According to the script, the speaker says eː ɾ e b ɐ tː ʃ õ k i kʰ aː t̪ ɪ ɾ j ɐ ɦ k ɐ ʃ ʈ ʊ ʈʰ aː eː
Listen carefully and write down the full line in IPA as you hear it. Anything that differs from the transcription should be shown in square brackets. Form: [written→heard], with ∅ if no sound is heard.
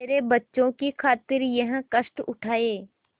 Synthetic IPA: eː ɾ e b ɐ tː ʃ õ k i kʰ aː t̪ ɪ ɾ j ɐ ɦ k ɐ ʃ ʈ ʊ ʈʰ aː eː